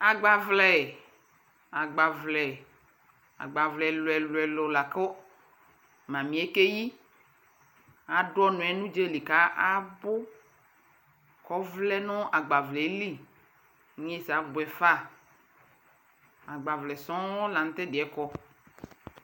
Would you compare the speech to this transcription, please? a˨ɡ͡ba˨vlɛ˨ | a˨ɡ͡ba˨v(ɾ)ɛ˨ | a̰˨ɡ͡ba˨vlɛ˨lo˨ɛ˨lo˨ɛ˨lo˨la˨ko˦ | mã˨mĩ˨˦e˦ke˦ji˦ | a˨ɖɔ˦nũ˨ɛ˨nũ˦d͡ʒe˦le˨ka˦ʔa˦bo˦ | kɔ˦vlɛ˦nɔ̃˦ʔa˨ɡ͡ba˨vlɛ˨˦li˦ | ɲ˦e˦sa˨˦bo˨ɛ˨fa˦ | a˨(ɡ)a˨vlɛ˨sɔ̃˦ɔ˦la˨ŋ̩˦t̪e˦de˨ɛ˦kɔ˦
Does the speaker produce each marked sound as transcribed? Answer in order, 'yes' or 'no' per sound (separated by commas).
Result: no, no